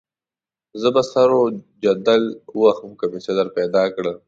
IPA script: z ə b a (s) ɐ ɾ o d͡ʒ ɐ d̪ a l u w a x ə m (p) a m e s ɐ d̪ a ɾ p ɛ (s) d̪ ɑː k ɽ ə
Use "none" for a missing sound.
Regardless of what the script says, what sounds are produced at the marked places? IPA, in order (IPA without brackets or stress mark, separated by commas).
s, k, none